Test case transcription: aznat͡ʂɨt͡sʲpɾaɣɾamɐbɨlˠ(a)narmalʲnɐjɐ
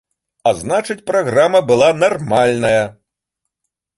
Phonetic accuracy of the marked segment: correct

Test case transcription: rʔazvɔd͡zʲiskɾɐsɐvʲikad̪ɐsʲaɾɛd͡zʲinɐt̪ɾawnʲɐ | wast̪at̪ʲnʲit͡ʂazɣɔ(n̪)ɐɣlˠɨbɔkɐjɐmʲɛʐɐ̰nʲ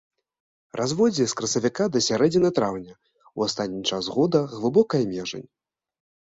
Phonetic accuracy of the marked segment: incorrect: d̪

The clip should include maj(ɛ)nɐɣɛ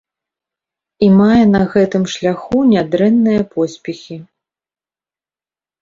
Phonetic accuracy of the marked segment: correct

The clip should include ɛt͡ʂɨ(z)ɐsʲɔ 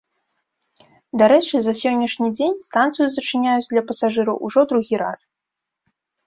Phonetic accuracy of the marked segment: correct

